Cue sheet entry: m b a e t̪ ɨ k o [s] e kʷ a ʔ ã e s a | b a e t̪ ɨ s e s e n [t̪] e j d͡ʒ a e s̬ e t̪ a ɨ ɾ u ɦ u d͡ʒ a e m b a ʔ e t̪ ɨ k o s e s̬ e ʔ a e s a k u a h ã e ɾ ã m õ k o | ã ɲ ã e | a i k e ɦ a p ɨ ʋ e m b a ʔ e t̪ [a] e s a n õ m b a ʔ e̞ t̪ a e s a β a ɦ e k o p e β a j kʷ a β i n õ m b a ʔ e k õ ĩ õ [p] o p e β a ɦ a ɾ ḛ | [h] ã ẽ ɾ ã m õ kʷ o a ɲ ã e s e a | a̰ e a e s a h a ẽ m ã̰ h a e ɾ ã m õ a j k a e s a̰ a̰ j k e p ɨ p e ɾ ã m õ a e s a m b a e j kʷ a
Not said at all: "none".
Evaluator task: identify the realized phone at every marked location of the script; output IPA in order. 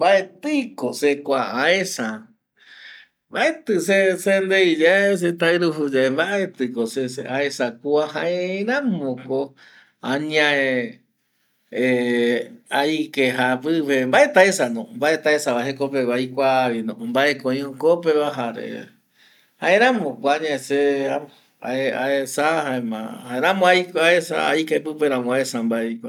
s, d̪, a, k, h

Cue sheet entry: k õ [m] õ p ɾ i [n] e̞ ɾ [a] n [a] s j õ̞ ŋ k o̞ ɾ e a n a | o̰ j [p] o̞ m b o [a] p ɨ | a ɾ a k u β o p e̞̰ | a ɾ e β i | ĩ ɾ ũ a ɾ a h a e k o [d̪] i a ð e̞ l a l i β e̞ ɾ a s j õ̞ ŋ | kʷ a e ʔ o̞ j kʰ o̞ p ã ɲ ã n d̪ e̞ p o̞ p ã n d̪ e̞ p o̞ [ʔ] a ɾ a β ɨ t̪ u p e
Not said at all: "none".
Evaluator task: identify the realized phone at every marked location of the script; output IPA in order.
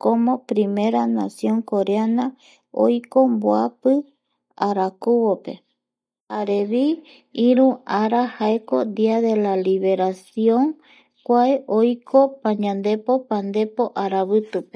m, m, a, a, k, a, d̪, ʔ

